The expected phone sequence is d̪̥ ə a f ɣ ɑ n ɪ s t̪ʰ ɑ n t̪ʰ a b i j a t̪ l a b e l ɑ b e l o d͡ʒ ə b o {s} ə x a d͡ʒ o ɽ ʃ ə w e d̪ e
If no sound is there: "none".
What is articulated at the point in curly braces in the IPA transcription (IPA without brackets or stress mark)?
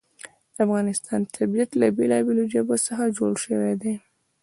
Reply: s